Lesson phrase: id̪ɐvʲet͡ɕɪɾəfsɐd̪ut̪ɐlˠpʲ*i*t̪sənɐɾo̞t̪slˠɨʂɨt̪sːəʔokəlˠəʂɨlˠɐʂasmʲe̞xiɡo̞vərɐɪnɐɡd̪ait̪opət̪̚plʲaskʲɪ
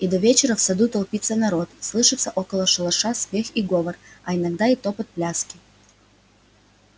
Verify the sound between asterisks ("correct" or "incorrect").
correct